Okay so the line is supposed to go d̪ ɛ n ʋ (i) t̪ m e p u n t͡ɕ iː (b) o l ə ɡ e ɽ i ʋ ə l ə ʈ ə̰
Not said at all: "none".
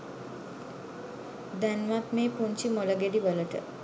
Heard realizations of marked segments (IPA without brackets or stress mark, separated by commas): a, m